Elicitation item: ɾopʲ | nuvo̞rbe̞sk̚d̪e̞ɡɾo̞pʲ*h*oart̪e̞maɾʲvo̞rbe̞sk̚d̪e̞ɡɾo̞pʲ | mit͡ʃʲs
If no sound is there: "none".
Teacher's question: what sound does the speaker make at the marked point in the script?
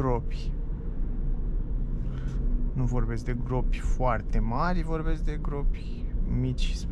f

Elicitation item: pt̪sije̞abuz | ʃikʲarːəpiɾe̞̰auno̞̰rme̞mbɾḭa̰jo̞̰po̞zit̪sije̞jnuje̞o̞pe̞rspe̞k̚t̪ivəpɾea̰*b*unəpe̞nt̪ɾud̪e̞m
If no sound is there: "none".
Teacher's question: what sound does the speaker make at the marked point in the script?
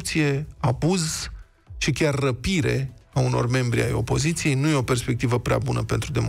b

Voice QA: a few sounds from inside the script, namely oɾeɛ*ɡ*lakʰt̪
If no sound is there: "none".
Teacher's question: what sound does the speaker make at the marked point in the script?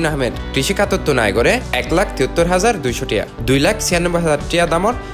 k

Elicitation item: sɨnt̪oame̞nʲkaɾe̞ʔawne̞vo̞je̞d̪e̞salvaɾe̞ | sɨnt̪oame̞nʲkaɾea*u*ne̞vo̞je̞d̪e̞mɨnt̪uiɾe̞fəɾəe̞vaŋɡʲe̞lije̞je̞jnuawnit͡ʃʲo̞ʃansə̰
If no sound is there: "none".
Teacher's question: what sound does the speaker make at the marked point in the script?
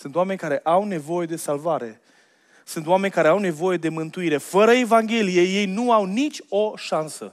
w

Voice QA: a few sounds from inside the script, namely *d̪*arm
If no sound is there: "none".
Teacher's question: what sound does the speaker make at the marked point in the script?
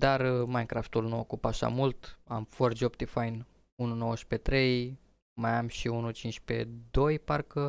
d̪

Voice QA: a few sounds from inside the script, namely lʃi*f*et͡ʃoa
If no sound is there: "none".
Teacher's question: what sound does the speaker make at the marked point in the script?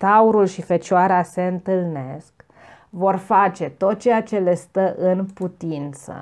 f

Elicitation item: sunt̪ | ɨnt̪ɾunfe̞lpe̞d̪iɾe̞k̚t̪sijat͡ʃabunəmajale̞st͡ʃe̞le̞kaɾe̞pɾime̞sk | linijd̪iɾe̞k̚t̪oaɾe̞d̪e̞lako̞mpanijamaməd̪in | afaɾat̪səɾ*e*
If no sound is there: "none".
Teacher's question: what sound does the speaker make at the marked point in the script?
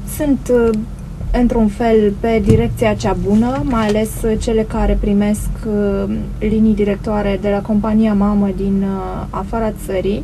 i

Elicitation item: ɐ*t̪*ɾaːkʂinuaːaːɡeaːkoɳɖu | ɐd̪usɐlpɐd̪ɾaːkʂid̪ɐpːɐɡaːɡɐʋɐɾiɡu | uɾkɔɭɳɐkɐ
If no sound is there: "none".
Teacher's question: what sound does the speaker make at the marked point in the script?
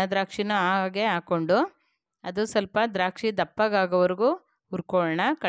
d̪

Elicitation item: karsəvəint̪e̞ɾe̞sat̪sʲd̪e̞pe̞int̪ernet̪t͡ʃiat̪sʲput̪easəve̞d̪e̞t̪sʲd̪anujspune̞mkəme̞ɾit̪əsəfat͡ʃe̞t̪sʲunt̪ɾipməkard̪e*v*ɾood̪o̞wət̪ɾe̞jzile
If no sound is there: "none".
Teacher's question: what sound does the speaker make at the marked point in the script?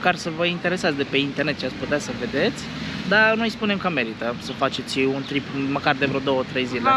v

